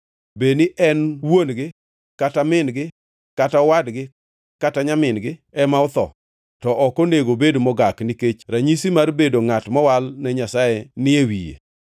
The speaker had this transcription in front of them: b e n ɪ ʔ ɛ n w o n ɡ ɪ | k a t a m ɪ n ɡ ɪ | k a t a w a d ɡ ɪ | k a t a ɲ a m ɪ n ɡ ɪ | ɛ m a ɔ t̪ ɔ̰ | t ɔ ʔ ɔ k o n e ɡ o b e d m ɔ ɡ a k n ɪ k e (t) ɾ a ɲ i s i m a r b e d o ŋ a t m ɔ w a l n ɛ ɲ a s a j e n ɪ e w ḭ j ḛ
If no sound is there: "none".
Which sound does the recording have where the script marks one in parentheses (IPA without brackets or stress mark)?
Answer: t͡ʃ